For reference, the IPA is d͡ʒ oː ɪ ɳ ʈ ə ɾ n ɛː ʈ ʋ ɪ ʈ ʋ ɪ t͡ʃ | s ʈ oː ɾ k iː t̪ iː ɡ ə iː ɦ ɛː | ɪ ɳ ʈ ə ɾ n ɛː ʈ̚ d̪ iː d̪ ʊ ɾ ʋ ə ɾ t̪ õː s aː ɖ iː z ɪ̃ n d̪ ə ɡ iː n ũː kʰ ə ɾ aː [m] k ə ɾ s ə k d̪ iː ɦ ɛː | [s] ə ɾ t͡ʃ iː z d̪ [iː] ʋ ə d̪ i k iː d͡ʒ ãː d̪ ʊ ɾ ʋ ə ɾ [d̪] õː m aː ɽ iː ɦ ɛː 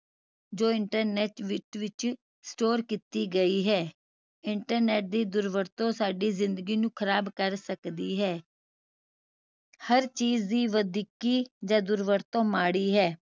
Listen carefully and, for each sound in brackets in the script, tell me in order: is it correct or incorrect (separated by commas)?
incorrect, incorrect, correct, incorrect